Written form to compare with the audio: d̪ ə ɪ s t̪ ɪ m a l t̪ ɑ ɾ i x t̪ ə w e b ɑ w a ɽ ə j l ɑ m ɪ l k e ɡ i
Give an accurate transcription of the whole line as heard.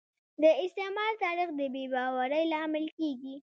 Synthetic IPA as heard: d̪ ə ɪ s t̪ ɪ m ɑ l t̪ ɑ ɾ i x d̪ ə b e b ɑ w a ɾ ə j l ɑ m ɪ l k e ɡ i

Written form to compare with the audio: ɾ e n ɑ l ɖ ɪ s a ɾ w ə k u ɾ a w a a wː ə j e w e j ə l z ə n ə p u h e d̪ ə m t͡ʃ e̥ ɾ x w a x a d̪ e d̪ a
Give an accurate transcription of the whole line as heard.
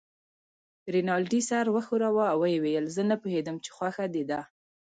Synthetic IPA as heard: ɾ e n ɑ l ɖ i s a ɾ w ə x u ɾ a w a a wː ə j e w e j ə l z ə n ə p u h e d̪ ə m t͡ʃ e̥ x w a x a d̪ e d̪ a

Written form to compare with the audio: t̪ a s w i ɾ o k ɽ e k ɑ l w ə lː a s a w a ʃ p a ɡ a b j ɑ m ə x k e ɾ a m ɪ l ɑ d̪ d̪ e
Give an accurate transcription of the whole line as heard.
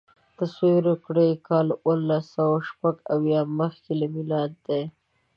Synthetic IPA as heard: t̪ a s w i ɾ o k ɽ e k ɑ l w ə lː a s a w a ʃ p a ɡ a w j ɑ m ə x k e l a m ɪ l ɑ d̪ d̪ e

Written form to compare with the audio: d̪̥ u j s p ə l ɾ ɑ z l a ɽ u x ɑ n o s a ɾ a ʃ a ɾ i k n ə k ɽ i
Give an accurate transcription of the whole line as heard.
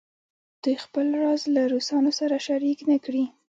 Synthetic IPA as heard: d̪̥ u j x p ə l ɾ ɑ z l a ɾ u s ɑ n o s a ɾ a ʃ a ɾ i k n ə k ɽ i

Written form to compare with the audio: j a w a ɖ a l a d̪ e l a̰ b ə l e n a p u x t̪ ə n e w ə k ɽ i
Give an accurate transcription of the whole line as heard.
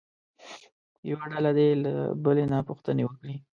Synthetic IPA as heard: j a w a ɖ a l a d̪ e l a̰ b ə l e n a p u x t̪ ə n e w ə k ɽ i

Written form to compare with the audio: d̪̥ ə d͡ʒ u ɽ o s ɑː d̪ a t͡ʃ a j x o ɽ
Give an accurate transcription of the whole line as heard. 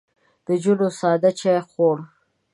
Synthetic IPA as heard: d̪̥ ə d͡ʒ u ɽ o s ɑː d̪ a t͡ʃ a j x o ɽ

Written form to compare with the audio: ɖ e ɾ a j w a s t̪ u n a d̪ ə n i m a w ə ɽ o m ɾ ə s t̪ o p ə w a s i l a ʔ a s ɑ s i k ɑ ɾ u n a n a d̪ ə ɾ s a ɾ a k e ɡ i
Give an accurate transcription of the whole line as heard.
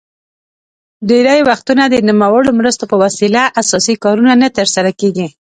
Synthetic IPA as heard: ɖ e ɾ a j w a x t̪ u n a d̪ ə n i m a w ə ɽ o m ɾ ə s t̪ o p ə w a s i l a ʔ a s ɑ s i k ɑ ɾ u n a n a t̪ ə ɾ s a ɾ a k e ɡ i

